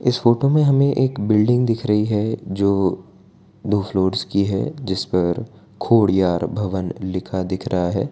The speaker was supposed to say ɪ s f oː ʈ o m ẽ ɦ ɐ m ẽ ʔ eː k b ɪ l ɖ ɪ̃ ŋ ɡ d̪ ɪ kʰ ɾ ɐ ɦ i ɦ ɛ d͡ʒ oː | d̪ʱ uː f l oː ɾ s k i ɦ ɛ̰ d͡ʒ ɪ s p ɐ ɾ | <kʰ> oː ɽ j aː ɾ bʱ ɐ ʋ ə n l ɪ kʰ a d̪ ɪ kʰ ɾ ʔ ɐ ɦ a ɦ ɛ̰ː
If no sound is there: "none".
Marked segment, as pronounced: kʰ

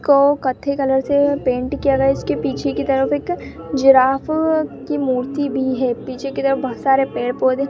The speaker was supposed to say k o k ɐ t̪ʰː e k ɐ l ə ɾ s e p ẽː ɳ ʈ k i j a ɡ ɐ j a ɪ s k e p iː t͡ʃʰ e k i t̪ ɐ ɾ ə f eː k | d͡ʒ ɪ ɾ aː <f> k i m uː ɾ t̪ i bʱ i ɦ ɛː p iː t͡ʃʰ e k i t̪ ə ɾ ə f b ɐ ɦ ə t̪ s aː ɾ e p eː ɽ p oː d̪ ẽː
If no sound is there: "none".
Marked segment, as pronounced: f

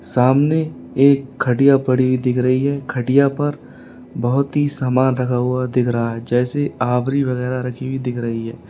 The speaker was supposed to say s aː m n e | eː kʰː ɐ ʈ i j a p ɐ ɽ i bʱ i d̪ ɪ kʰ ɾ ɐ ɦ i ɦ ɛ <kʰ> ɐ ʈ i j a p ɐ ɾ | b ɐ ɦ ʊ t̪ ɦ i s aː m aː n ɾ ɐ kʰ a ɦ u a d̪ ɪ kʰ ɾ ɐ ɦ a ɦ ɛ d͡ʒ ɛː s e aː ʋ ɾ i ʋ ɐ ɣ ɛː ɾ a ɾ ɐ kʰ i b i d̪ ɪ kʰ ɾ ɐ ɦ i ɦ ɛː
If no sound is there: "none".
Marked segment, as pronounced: kʰ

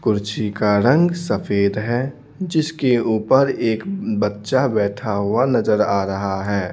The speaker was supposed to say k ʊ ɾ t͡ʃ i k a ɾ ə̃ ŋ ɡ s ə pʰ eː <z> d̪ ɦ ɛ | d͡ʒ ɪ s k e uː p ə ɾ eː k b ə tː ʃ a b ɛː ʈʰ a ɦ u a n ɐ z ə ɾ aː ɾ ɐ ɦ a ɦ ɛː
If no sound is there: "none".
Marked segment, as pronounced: none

